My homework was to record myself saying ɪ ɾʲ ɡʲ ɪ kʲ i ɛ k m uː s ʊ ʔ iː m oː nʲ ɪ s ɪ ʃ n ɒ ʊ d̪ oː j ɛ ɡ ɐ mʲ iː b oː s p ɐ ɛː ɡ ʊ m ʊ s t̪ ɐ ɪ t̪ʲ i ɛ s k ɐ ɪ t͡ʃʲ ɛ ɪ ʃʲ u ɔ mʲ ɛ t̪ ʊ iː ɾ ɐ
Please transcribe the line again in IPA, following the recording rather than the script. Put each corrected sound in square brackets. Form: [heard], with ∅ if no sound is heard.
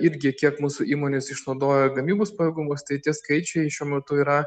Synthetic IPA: ɪ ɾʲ ɡʲ ɪ kʲ i ɛ k m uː s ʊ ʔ iː m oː nʲ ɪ s ɪ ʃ n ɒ ʊ d̪ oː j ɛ ɡ ɐ mʲ iː b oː s p ɐ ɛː ɡ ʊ m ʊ s t̪ ɐ ɪ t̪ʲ i ɛ s k ɐ ɪ t͡ʃʲ ɛ ɪ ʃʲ u ɔ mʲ ɛ t̪ ʊ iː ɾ ɐ

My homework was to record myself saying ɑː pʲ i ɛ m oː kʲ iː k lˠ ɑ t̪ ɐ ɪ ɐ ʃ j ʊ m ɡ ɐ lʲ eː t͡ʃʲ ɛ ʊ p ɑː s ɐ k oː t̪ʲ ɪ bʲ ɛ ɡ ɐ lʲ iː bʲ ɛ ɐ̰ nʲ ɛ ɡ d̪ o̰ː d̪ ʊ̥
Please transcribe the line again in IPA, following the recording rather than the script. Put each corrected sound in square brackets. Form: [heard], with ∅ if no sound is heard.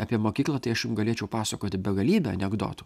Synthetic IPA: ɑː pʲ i ɛ m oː kʲ iː k lˠ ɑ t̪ ɐ ɪ ɐ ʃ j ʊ m ɡ ɐ lʲ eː t͡ʃʲ ɛ ʊ p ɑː s ɐ k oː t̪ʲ ɪ bʲ ɛ ɡ ɐ lʲ iː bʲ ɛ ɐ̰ nʲ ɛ ɡ d̪ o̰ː [t̪] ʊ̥

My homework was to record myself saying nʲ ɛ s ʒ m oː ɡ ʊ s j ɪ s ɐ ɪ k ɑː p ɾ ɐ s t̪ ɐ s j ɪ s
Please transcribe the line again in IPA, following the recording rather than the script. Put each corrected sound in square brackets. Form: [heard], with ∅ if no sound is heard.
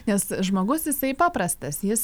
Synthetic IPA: nʲ ɛ s ʒ m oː ɡ ʊ s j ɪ s ɐ ɪ [p] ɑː p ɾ ɐ s t̪ ɐ s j ɪ s

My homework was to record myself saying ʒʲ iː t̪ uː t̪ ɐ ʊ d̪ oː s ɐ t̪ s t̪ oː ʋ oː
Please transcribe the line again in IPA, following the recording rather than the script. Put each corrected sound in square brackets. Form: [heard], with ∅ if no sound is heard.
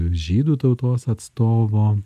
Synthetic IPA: ʒʲ iː [d̪] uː t̪ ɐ ʊ [t̪] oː s ɐ t̪ s t̪ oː ʋ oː

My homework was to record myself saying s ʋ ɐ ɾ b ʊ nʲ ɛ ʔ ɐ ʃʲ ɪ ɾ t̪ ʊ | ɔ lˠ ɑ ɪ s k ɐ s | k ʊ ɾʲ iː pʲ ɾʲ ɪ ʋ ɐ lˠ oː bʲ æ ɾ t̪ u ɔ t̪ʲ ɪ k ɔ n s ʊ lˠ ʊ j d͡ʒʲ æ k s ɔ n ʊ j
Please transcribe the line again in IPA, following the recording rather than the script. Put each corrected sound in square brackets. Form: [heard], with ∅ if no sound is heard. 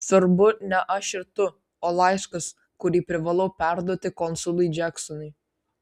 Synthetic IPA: s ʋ ɐ ɾ b ʊ nʲ ɛ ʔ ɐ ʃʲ ɪ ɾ t̪ ʊ | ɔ lˠ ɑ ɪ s k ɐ s | k ʊ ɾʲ iː pʲ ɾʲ ɪ ʋ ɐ lˠ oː [pʲ] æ ɾ [d̪] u ɔ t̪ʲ ɪ k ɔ n s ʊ lˠ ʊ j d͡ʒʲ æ k s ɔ n ʊ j

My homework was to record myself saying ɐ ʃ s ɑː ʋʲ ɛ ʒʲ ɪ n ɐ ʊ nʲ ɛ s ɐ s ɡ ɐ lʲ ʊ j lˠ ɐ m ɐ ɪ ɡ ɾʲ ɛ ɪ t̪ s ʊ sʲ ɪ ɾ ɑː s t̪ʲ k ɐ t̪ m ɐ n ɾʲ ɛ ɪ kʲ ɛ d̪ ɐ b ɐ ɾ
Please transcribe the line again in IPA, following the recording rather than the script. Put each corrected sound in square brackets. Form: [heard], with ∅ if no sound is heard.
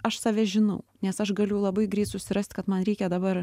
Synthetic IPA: ɐ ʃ s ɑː ʋʲ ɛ ʒʲ ɪ n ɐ ʊ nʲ ɛ s ɐ [ʃ] ɡ ɐ lʲ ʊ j lˠ ɐ [b] ɐ ɪ ɡ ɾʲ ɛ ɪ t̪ s ʊ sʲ ɪ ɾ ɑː s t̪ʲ k ɐ t̪ m ɐ n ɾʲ ɛ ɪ kʲ ɛ d̪ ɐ b ɐ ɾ

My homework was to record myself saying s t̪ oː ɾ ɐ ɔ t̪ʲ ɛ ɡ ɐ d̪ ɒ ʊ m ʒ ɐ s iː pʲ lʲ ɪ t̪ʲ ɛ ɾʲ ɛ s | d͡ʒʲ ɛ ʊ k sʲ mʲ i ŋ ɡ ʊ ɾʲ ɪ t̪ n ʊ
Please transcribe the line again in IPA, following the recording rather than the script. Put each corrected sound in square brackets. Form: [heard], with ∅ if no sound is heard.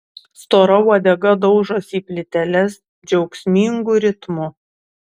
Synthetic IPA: s t̪ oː ɾ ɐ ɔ [d̪ʲ] ɛ ɡ ɐ d̪ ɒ ʊ [∅] ʒ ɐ s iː pʲ lʲ ɪ t̪ʲ ɛ [lʲ] ɛ s | d͡ʒʲ ɛ ʊ k sʲ mʲ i ŋ ɡ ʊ ɾʲ ɪ t̪ [m] ʊ

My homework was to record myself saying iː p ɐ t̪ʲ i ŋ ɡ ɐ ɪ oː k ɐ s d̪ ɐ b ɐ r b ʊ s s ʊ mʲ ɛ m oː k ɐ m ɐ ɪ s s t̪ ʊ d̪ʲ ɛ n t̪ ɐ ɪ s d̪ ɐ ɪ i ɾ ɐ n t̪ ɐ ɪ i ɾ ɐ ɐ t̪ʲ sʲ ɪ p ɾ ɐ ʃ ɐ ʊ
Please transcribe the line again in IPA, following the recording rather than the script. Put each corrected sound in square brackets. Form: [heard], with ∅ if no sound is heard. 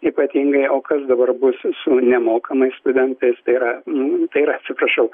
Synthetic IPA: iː p ɐ t̪ʲ i ŋ ɡ ɐ ɪ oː k ɐ s d̪ ɐ b ɐ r b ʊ s s ʊ [nʲ] ɛ m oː k ɐ m ɐ ɪ s s t̪ ʊ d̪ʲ ɛ n t̪ ɐ ɪ s [t̪] ɐ ɪ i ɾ ɐ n t̪ ɐ ɪ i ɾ ɐ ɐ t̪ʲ sʲ ɪ p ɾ ɐ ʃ ɐ ʊ

